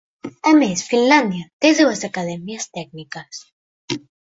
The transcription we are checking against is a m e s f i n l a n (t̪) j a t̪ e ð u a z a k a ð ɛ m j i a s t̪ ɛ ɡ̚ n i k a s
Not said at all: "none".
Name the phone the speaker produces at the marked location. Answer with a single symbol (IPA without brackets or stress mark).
d̪